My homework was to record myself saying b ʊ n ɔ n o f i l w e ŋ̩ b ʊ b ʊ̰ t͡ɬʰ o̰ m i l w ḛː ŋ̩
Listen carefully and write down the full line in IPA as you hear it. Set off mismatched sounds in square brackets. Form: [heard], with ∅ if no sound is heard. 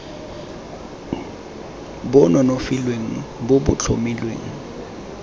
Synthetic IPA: b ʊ n ɔ n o f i l w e ŋ̩ b ʊ b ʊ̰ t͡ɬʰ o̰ m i l w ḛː ŋ̩

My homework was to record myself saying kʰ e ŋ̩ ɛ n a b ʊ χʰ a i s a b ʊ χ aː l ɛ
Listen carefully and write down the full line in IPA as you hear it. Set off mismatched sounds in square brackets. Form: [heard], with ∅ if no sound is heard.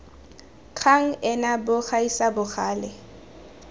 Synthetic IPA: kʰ [a] ŋ̩ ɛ n a b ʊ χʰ a i s a b ʊ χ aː l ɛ

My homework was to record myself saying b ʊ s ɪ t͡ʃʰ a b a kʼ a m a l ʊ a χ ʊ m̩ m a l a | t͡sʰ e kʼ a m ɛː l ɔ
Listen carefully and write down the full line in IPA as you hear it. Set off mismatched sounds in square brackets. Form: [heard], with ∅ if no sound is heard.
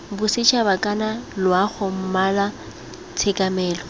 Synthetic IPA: b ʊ s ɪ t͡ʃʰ a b a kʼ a [n] a l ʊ a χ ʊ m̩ m a l a | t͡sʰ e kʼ a m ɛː l ɔ

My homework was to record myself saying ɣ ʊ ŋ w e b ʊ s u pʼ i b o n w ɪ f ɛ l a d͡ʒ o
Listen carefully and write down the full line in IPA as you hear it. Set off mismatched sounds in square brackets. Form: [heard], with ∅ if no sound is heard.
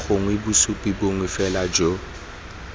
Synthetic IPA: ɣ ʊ ŋ w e b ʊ s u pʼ i b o [ŋ] w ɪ f ɛ l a d͡ʒ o

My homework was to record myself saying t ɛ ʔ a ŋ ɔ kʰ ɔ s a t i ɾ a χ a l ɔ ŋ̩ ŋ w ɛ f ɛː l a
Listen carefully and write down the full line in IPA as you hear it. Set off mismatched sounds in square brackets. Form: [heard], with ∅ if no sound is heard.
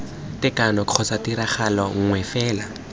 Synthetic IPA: t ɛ [k] a [n] ɔ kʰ ɔ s a t i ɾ a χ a l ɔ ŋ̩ ŋ w ɛ f ɛː l a

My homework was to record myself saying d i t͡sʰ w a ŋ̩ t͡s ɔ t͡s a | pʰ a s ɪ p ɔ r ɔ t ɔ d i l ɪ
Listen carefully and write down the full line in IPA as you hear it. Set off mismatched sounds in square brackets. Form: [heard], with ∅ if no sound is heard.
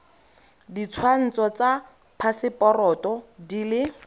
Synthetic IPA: d i t͡sʰ w a [n̩] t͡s ɔ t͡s a | pʰ a s ɪ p ɔ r ɔ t ɔ d i l ɪ

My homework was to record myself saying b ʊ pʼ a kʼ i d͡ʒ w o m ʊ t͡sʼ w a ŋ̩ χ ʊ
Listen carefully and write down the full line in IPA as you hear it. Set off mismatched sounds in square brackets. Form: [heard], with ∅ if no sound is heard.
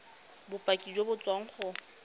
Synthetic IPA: b ʊ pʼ a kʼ i d͡ʒ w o [b] ʊ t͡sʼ w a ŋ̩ χ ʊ

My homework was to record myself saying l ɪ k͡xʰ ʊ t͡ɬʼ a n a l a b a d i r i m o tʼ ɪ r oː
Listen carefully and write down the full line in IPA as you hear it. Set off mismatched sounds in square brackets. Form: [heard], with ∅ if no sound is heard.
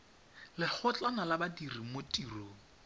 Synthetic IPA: l ɪ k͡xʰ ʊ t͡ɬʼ a n a l a b a d i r i m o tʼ [i] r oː

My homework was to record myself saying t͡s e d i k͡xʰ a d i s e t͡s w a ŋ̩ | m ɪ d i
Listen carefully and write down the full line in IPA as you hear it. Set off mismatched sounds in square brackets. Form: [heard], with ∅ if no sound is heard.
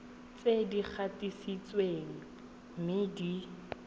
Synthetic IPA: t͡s e d i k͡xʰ a [t] i s [i] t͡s w [e] ŋ̩ | m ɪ d i

